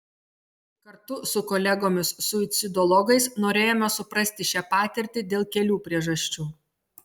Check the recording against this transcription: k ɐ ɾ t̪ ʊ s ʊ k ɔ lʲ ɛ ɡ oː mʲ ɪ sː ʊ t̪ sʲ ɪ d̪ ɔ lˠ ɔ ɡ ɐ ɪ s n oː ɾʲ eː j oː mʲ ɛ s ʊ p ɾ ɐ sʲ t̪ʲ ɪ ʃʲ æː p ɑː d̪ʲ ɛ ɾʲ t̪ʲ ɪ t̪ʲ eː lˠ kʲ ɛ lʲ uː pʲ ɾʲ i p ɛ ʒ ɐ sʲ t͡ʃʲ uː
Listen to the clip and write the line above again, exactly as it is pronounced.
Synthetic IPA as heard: k ɐ ɾ t̪ ʊ s ʊ k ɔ lʲ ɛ ɡ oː mʲ ɪ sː ʊ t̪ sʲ ɪ d̪ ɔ lˠ ɔ ɡ ɐ ɪ s n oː ɾʲ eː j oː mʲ ɛ s ʊ p ɾ ɐ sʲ t̪ʲ ɪ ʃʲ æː p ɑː t̪ʲ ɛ ɾʲ t̪ʲ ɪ d̪ʲ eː lˠ kʲ ɛ lʲ uː pʲ ɾʲ i ɛ ʒ ɐ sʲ t͡ʃʲ uː